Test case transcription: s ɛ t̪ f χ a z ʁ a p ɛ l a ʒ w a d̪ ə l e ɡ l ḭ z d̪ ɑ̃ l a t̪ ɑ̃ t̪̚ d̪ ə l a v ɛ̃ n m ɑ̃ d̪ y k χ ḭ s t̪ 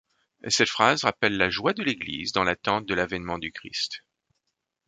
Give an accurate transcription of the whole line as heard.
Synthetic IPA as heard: s ɛ t̪ f χ a z ʁ a p ɛ lː a ʒ w a d̪ ə l e ɡ l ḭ z d̪ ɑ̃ l a t̪ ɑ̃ t̪̚ d̪ ə l a v ɛ n m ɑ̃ d̪ y k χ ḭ s t̪